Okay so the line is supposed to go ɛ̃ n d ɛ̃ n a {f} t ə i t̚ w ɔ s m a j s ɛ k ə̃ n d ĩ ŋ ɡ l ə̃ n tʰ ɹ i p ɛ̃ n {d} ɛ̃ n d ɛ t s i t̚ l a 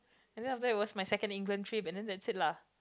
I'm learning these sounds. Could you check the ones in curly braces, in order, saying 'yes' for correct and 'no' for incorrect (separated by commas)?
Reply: yes, yes